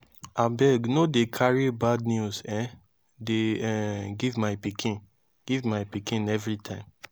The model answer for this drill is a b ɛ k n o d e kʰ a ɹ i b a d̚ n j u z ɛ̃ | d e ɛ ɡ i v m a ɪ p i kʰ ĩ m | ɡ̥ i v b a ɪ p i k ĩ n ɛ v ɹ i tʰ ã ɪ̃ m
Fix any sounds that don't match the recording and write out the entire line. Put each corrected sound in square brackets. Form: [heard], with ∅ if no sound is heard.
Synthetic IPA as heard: a b ɛ [ɡ] n o d e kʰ a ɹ i b a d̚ n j u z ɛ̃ | d e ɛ ɡ i v m a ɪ p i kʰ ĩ [n] | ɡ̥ i v [m] a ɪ p i k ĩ n ɛ v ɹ i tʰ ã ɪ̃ m